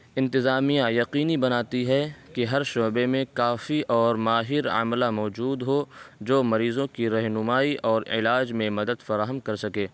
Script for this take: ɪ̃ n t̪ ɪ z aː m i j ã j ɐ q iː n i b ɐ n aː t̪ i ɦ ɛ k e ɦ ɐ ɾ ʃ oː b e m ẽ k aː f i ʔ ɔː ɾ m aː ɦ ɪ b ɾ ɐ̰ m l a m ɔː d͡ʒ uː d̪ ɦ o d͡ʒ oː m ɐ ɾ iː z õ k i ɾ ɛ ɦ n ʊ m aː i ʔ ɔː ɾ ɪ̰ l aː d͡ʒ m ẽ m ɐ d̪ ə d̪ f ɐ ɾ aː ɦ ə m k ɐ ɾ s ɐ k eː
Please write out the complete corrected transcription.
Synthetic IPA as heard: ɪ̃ n t̪ ɪ z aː m i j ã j ɐ q iː n i b ɐ n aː t̪ i ɦ ɛ k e ɦ ɐ ɾ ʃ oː b e m ẽ k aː f i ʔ ɔː ɾ m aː ɦ ɪ ɾ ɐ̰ m l a m ɔː d͡ʒ uː d̪ ɦ o d͡ʒ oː m ɐ ɾ iː z õ k i ɾ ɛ ɦ n ʊ m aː i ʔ ɔː ɾ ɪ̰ l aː d͡ʒ m ẽ m ɐ d̪ ə d̪ f ɐ ɾ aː ɦ ə m k ɐ ɾ s ɐ k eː